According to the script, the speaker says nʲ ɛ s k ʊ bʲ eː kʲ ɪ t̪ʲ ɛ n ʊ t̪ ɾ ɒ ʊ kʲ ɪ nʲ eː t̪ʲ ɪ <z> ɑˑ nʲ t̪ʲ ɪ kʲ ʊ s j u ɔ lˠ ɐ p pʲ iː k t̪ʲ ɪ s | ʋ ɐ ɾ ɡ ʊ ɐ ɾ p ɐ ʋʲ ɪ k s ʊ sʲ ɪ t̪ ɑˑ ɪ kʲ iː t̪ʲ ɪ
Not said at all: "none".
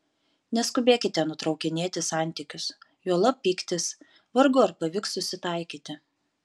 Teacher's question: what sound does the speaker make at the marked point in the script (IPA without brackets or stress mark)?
s